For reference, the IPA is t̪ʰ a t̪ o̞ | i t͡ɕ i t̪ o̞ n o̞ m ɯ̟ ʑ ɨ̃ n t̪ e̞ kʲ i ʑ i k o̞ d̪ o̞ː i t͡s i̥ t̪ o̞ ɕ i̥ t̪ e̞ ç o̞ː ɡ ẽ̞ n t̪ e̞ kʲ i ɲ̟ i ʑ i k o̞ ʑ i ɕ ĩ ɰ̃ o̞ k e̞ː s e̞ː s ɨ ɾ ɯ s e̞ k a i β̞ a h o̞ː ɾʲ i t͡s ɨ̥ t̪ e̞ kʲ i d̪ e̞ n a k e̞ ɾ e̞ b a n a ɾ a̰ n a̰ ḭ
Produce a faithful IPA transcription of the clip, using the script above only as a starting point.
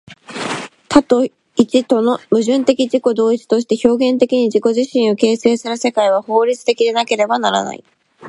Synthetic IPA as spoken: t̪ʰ a t̪ o̞ | i t͡ɕ i t̪ o̞ n o̞ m ɯ̟ ʑ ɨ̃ n t̪ e̞ kʲ i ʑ i k o̞ d̪ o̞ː i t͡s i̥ t̪ o̞ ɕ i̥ t̪ e̞ ç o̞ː ɡ ẽ̞ n t̪ e̞ kʲ i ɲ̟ i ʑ i k o̞ ʑ i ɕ ĩ ɰ̃ o̞ k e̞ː s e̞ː s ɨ ɾ ɯ s e̞ k a i β̞ a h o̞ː ɾʲ i t͡s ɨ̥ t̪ e̞ kʲ i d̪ e̞ n a k e̞ ɾ e̞ b a n a ɾ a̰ n a̰ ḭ